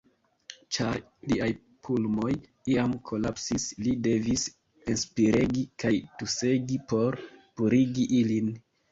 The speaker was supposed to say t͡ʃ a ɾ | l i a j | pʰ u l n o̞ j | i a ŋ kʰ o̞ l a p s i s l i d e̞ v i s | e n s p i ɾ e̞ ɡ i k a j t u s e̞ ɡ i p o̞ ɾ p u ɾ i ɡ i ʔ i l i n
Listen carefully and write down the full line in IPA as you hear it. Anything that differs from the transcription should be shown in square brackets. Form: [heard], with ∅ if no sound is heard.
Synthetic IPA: t͡ʃ a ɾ | l i a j | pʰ u l [m] o̞ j | i a [m] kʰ o̞ l a p s i s l i d e̞ v i s | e n s p i ɾ e̞ ɡ i k a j t u s e̞ ɡ i p o̞ ɾ p u ɾ i ɡ i ʔ i l i n